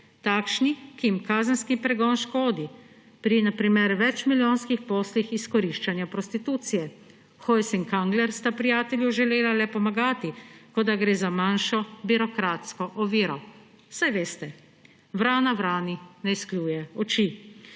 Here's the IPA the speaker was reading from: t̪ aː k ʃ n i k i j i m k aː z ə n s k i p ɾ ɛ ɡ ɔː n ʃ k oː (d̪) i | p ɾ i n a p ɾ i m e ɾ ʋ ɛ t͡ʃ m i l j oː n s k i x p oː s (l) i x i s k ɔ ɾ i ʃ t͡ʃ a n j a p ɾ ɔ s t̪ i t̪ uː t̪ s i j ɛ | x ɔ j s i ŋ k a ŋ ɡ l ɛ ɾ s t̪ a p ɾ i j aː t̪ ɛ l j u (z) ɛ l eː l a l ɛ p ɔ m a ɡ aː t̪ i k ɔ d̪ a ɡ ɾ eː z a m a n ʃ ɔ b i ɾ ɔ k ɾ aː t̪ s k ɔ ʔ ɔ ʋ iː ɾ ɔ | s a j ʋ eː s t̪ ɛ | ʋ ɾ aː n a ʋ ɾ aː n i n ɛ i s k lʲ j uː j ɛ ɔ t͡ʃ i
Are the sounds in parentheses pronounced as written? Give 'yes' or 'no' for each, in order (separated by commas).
yes, yes, no